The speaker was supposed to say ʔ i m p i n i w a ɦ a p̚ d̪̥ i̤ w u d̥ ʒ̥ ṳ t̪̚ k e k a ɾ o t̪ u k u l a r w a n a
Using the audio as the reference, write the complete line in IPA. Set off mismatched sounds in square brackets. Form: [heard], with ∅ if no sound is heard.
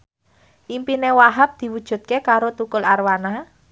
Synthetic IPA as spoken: ʔ i m p i n [e] w a ɦ a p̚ d̪̥ i̤ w u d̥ ʒ̥ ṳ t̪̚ k e k a ɾ o t̪ u k [ʊ] l a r w a n a